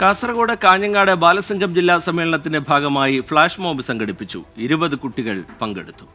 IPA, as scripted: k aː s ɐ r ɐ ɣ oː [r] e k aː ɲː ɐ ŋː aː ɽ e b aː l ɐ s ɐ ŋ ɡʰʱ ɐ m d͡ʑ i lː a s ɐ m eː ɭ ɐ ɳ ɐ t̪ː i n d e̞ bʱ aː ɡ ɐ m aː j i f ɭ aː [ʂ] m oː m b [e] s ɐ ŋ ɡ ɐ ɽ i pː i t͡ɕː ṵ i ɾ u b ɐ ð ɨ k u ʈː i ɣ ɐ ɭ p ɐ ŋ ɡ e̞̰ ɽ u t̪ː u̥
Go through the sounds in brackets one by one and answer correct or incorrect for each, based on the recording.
incorrect: ɽ, correct, incorrect: i

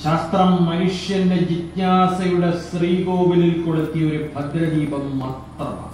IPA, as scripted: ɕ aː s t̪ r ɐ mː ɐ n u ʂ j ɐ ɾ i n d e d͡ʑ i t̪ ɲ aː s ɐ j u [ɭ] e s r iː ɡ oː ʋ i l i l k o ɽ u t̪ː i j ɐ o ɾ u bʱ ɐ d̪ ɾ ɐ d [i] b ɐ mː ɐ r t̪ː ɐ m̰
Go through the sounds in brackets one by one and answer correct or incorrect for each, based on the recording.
incorrect: ɽ, incorrect: iː

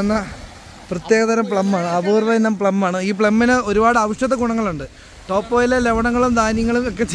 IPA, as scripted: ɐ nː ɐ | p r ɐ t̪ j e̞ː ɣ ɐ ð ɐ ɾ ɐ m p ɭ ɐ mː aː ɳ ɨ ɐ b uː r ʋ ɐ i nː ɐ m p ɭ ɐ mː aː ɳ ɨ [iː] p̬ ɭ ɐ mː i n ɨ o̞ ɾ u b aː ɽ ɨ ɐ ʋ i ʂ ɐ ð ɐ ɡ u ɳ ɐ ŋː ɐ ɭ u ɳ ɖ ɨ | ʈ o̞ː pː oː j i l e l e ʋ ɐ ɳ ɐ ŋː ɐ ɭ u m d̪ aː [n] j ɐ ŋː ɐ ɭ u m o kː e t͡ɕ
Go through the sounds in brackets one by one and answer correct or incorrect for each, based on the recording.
correct, correct

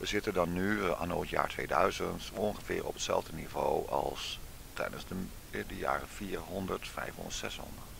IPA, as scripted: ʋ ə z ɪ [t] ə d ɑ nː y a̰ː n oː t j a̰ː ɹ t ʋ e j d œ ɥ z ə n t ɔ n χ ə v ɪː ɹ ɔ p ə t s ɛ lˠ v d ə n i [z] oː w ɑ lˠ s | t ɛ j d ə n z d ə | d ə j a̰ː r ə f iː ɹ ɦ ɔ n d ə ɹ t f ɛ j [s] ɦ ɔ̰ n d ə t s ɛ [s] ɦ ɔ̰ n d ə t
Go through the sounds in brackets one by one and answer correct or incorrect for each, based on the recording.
correct, incorrect: v, incorrect: f, correct

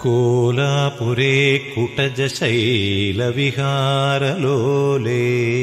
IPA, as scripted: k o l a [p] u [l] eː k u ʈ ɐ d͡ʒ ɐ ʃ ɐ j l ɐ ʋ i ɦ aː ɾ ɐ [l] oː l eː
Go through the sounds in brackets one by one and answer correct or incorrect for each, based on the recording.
correct, incorrect: ɾ, correct

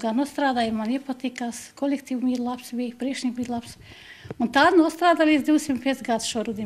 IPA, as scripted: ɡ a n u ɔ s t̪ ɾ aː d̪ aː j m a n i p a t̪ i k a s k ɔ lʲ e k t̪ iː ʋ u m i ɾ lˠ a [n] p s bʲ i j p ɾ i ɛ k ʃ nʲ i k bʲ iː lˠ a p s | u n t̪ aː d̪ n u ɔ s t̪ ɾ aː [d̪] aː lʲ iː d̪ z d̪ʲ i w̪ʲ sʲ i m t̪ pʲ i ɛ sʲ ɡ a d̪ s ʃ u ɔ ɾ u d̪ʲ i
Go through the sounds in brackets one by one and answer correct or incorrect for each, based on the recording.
incorrect: none, correct

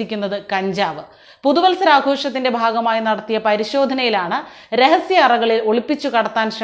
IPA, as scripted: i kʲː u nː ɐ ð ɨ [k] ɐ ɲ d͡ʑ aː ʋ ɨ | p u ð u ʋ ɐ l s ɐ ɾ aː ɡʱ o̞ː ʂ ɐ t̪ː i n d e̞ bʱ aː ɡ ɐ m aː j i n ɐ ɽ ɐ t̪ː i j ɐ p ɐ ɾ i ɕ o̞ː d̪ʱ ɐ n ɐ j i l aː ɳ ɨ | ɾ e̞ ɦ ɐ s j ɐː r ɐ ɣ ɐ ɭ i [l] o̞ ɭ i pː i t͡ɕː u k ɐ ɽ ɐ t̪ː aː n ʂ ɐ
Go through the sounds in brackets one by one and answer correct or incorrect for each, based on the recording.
correct, correct

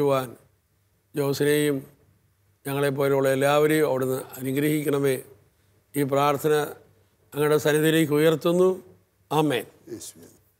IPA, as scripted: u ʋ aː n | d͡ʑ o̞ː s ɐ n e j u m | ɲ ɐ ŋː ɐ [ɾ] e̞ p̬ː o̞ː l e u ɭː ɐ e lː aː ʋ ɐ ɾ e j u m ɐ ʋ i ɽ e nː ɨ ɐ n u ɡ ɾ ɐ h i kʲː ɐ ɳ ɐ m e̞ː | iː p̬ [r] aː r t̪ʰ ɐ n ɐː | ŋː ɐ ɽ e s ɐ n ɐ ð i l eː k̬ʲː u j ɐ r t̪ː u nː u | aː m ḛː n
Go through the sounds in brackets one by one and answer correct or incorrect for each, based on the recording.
incorrect: ɭ, correct

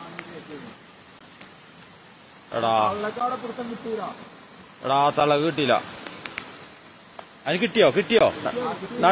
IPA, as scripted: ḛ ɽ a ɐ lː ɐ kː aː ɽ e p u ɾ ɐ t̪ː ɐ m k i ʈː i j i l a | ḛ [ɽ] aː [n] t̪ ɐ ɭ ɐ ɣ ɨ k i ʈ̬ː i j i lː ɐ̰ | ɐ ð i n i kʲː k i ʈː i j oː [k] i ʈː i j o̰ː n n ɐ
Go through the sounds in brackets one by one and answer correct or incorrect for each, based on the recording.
correct, incorrect: none, correct

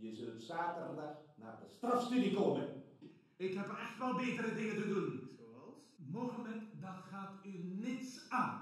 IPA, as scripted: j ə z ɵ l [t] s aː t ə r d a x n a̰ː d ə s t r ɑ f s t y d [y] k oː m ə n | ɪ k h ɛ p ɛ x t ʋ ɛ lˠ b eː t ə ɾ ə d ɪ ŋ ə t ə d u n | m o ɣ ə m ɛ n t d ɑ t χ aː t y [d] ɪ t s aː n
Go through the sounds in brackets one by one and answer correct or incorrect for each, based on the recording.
correct, incorrect: i, incorrect: n

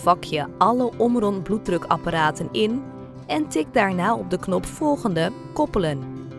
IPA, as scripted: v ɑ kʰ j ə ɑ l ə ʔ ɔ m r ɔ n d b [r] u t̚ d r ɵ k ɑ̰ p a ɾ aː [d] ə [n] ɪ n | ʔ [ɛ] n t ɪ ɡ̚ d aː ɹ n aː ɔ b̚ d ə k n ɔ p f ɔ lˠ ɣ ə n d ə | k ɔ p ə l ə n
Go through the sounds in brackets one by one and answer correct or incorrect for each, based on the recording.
incorrect: l, incorrect: t, correct, correct

